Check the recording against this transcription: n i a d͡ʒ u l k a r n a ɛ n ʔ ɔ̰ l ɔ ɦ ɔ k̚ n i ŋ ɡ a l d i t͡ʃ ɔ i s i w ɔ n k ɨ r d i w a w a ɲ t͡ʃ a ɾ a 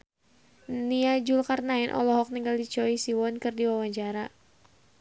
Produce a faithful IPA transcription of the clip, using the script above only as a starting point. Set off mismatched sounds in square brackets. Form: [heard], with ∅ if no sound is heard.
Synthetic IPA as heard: n i a d͡ʒ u l k a r n a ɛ n ʔ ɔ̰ l ɔ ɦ ɔ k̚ n i ŋ ɡ a l d i t͡ʃ ɔ i s i w ɔ n k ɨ r d i w a w a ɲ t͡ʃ a ɾ a